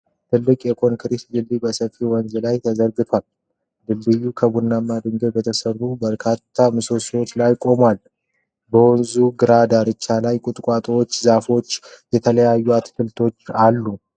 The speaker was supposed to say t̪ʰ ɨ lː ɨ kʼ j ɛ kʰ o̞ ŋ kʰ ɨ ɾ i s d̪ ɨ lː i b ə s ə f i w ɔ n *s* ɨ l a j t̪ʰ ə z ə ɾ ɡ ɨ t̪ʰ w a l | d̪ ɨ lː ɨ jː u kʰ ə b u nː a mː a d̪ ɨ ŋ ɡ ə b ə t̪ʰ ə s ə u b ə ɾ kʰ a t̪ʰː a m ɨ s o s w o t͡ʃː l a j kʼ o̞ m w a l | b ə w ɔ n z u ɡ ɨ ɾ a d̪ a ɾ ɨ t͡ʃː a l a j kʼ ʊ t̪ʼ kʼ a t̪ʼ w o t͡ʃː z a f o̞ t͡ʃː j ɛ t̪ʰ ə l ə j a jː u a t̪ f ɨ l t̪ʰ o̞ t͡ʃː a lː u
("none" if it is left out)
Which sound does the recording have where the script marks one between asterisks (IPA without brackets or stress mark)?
z